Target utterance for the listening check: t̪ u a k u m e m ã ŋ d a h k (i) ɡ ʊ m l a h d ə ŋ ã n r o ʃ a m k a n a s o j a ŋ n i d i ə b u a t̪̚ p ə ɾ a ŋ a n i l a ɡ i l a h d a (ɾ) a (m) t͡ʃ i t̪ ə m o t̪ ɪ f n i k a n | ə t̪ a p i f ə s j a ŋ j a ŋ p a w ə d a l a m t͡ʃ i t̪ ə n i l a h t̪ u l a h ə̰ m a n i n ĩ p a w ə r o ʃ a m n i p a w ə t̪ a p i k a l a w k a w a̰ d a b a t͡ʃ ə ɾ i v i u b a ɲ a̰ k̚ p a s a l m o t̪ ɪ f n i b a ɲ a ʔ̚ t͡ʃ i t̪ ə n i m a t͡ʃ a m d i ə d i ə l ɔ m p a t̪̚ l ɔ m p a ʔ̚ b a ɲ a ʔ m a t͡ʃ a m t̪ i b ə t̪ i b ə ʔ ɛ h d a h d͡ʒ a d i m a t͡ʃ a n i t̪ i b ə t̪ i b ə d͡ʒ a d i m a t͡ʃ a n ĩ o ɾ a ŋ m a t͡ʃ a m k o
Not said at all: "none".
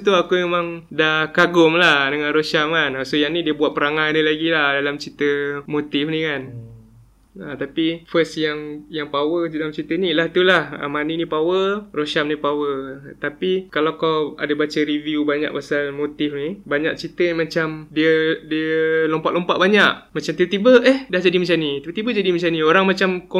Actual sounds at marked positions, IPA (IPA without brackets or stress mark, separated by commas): a, l, m